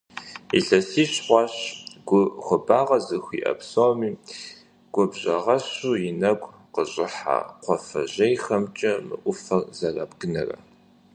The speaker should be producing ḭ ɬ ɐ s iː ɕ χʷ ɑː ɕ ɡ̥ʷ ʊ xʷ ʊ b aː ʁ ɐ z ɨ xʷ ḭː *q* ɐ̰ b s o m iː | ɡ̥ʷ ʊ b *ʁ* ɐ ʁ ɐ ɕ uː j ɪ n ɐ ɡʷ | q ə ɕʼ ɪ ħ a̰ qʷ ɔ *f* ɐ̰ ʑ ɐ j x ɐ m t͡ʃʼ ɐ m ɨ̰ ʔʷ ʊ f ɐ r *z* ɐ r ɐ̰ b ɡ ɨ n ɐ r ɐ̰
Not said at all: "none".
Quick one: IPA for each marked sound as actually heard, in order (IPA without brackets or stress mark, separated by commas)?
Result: ʔ, ʑ, f, z